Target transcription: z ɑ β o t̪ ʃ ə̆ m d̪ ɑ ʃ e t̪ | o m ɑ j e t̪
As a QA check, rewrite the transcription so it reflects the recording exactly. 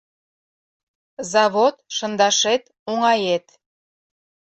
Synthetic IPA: z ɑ β o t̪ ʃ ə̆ n d̪ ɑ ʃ e t̪ | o ŋ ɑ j e t̪